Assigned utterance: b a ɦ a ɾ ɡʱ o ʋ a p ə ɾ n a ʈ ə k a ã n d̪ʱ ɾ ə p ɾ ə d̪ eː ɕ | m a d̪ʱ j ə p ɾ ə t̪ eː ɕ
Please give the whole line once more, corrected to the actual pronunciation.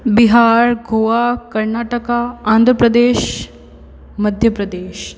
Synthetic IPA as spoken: b i ɦ a ɾ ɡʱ o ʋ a k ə ɾ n a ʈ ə k a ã n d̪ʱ ɾ ə p ɾ ə d̪ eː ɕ | m ə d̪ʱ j ə p ɾ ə d̪ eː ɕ